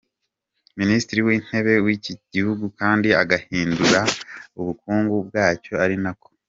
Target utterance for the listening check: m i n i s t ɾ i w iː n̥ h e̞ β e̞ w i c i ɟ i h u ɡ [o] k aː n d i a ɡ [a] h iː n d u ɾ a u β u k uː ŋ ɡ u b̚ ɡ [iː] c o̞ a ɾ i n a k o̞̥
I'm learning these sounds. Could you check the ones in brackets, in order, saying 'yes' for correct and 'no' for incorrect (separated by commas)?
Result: no, yes, no